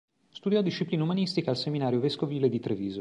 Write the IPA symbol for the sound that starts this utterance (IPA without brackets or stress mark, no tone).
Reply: s